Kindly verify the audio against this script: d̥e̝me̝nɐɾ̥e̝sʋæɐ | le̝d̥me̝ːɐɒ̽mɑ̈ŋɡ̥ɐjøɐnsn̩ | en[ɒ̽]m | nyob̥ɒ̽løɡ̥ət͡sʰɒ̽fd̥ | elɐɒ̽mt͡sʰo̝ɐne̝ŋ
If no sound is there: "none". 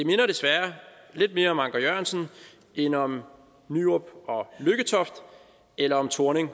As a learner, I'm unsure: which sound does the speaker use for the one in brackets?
ɒ̽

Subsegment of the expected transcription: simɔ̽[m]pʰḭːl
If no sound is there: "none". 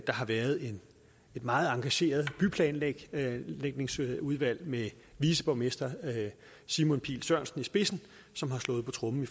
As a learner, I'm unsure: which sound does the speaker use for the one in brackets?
n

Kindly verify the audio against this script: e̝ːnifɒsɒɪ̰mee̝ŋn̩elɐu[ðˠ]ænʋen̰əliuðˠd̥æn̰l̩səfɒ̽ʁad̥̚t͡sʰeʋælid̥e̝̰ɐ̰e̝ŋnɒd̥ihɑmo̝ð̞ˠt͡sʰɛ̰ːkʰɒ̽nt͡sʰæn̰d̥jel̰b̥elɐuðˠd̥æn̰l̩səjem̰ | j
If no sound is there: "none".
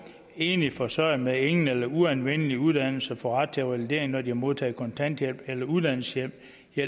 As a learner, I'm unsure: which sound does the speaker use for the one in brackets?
none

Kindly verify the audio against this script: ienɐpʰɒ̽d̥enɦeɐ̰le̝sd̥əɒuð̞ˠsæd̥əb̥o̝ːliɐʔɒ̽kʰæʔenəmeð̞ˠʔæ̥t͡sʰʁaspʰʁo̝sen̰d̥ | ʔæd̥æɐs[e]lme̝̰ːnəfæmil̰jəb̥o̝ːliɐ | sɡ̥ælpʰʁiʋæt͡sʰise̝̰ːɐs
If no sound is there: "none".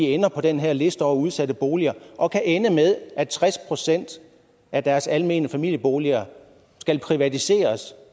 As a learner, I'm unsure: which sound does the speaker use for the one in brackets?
æ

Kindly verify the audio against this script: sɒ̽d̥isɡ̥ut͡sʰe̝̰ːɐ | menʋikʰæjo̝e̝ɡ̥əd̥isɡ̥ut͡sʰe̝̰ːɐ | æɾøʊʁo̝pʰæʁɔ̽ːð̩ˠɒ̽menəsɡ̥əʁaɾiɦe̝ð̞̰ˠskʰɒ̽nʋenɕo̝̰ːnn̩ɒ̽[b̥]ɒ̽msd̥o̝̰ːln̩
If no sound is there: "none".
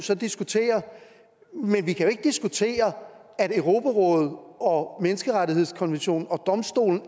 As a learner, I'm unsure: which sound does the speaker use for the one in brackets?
d̥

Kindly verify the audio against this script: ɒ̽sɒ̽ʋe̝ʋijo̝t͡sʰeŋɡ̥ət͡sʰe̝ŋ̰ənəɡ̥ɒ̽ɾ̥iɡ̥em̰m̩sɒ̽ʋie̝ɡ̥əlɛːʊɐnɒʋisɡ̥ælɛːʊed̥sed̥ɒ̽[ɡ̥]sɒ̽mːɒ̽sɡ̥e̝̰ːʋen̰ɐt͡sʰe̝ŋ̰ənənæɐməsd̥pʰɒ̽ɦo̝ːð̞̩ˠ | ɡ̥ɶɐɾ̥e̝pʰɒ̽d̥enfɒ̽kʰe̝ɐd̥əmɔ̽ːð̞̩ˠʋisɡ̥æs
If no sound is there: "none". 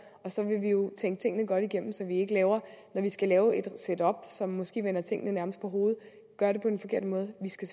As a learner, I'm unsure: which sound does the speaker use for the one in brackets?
b̥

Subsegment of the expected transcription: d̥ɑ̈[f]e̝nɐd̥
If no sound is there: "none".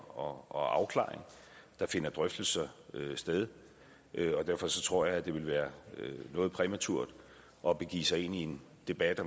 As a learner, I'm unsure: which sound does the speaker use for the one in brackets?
f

